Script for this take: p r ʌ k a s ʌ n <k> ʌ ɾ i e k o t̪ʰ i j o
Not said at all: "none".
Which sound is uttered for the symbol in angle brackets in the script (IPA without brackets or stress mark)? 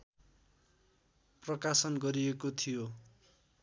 ɡ